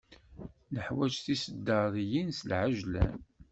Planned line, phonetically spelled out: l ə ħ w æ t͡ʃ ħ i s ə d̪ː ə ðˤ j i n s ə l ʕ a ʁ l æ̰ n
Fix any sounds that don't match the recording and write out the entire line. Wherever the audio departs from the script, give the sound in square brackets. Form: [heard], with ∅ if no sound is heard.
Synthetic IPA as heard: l ə ħ w æ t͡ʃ [θ] i s ə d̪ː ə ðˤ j i n s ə l ʕ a [ʒ] l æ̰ n